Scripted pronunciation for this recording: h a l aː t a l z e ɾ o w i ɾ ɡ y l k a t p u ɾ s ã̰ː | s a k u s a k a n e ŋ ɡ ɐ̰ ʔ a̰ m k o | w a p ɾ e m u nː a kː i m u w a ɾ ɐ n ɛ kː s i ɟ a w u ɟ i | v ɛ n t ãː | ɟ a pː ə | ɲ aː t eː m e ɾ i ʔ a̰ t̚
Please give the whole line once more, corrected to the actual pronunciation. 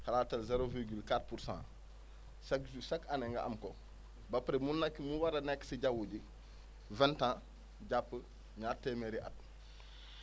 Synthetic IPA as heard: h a l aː t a l z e ɾ o v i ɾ ɡ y l k a t p u ɾ s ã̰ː | s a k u s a k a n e ŋ ɡ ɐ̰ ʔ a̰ m k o | b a p ɾ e m u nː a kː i m u w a ɾ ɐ n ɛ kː s i ɟ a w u ɟ i | v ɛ n t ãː | ɟ a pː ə | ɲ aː t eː m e ɾ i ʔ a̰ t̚